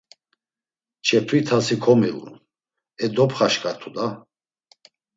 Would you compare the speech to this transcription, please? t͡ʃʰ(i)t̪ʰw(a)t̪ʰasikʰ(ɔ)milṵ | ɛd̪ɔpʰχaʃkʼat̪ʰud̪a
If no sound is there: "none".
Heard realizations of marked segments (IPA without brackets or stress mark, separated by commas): ɛ, i, ɔ